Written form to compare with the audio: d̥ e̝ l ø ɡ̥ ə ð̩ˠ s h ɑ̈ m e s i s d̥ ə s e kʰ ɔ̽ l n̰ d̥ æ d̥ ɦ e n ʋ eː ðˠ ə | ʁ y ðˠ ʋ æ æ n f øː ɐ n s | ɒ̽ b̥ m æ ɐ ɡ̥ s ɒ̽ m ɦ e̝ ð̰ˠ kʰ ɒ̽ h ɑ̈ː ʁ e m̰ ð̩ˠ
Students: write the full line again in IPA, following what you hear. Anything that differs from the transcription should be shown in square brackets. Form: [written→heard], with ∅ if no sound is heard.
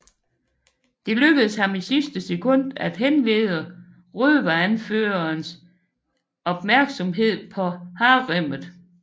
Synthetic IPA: d̥ e̝ l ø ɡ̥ ə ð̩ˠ s h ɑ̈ m [e→i] s i s d̥ ə s e kʰ ɔ̽ [l→∅] n̰ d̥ æ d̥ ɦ e n ʋ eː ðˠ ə | ʁ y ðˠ ʋ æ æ n f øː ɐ n s | ɒ̽ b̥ m æ ɐ ɡ̥ s ɒ̽ m ɦ e̝ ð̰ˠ [kʰ→pʰ] ɒ̽ h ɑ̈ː ʁ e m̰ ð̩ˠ

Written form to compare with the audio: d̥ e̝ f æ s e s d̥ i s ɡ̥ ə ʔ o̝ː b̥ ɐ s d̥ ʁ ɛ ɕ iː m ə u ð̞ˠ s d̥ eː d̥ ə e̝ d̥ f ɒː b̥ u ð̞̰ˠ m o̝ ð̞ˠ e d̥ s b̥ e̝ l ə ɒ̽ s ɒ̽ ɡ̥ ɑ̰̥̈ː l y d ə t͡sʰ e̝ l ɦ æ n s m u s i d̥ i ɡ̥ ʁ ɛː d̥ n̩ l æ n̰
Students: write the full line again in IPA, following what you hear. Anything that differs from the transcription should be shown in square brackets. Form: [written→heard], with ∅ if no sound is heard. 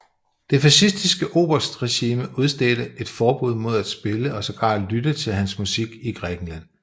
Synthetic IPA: d̥ e̝ f æ s [e→i] s d̥ i s ɡ̥ ə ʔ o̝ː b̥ ɐ s d̥ ʁ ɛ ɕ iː m ə u ð̞ˠ s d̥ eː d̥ ə e̝ d̥ f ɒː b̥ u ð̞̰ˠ m o̝ ð̞ˠ [e→æ] d̥ s b̥ e̝ l ə ɒ̽ s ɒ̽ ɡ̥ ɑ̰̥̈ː l y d ə t͡sʰ e̝ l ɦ æ n s m u s i [d̥→ɡ̥] i ɡ̥ ʁ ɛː [d̥→ɡ̥] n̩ l æ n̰

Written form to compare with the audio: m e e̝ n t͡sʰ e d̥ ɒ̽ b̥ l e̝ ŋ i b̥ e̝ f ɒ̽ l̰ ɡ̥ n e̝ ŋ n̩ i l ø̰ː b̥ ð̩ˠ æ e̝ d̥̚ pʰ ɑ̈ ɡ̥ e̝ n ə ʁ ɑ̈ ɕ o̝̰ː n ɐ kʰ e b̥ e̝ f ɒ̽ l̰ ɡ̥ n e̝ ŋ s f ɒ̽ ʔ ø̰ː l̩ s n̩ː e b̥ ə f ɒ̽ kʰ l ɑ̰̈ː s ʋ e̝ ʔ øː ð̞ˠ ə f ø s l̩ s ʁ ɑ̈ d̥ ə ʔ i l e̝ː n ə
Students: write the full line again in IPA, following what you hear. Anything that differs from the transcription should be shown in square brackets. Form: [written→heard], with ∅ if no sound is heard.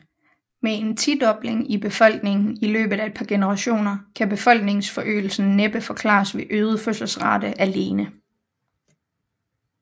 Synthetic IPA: m e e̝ n t͡sʰ [e→i] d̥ ɒ̽ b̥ l e̝ ŋ i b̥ e̝ f ɒ̽ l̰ ɡ̥ n e̝ ŋ n̩ i l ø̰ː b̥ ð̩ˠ æ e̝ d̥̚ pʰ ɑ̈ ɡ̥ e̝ n ə ʁ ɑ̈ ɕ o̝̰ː n ɐ kʰ [e→æ] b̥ e̝ f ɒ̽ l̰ ɡ̥ n e̝ ŋ s f ɒ̽ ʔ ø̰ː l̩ s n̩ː e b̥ ə f ɒ̽ kʰ l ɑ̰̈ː s ʋ e̝ ʔ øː ð̞ˠ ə f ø s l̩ s ʁ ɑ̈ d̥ ə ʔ [i→æ] l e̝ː n ə

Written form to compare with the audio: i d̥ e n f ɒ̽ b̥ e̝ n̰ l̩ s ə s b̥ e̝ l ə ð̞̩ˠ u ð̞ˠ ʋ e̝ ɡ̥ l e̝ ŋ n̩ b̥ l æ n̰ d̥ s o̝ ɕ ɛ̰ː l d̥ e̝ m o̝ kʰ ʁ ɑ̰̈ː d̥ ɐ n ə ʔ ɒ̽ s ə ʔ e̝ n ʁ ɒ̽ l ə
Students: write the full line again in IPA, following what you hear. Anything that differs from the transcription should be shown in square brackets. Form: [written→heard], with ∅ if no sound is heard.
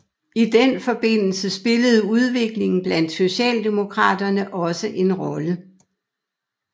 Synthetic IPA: i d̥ e n f ɒ̽ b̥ e̝ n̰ l̩ s ə s b̥ e̝ l ə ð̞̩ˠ u ð̞ˠ ʋ e̝ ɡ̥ l e̝ ŋ n̩ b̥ l æ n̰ d̥ s o̝ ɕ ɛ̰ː l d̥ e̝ m o̝ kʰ ʁ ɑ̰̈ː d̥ ɐ n ə ʔ ɒ̽ s ə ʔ e̝ n ʁ ɒ̽ l ə

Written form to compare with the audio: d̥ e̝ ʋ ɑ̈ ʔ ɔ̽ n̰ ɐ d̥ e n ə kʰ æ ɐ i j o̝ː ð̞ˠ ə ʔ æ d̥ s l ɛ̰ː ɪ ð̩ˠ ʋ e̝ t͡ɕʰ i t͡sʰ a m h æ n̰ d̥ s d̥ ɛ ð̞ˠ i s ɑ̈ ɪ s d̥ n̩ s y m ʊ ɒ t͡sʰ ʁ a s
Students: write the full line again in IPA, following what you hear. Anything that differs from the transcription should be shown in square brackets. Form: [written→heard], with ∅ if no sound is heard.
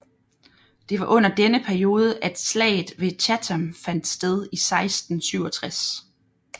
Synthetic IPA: d̥ e̝ ʋ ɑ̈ ʔ ɔ̽ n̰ ɐ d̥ e n ə [kʰ→pʰ] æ ɐ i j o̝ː ð̞ˠ ə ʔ æ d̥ s l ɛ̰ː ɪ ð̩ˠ ʋ e̝ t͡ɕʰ [i→æ] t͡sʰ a m [h→f] æ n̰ d̥ s d̥ [ɛ→e] ð̞ˠ i s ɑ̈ ɪ s d̥ n̩ s y [m→∅] ʊ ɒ t͡sʰ ʁ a s

